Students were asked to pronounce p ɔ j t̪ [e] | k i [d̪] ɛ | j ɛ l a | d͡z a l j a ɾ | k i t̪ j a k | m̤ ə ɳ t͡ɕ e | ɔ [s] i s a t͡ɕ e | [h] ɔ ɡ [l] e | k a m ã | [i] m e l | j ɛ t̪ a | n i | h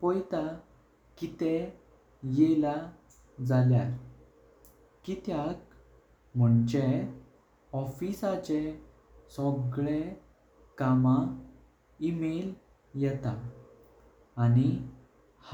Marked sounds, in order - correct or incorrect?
incorrect: a, incorrect: t̪, incorrect: f, incorrect: s, incorrect: ɭ, correct

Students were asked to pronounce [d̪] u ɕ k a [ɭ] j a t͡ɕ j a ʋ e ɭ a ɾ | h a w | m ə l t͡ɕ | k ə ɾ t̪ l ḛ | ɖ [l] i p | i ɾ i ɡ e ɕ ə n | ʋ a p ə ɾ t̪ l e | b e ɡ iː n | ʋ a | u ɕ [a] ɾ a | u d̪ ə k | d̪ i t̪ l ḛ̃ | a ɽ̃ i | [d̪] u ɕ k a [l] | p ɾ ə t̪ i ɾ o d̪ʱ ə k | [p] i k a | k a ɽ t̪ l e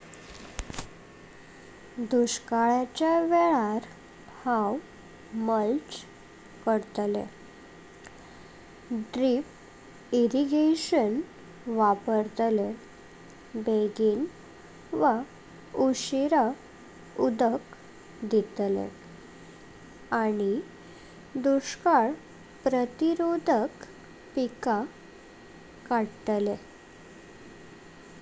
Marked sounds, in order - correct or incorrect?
correct, correct, incorrect: ɾ, incorrect: i, correct, incorrect: ɭ, correct

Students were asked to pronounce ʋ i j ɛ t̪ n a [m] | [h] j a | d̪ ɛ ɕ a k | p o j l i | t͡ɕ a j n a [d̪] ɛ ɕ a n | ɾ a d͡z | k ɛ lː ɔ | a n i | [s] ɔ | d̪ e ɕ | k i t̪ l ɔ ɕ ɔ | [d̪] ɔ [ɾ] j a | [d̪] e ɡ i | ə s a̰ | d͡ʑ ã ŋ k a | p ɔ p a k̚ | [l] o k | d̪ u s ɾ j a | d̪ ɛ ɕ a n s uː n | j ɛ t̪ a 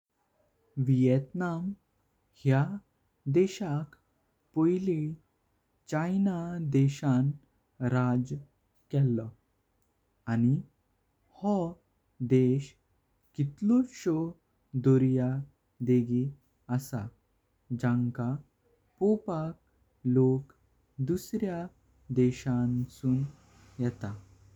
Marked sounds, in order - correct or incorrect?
correct, correct, correct, incorrect: h, correct, correct, correct, correct

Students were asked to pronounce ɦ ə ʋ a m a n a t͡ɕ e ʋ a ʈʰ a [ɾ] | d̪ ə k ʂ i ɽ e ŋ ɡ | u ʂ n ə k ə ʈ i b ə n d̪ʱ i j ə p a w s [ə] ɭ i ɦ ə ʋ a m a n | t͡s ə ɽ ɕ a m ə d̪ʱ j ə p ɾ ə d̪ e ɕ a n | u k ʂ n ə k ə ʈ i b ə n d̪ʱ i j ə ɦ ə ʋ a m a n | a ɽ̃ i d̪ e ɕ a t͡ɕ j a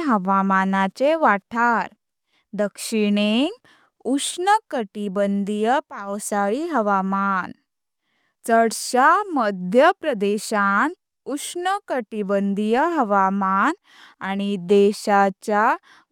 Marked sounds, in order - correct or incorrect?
correct, incorrect: a

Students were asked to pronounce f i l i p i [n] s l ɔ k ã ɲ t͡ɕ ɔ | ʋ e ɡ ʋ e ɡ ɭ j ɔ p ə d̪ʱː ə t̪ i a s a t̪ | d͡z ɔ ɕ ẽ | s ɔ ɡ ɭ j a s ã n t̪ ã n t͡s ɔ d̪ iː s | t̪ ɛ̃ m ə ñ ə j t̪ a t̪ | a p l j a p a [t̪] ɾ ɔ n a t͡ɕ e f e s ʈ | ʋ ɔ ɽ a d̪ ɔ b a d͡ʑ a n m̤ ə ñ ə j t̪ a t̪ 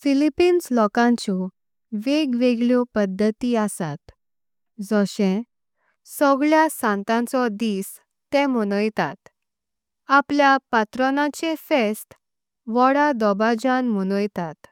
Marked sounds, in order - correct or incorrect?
correct, correct

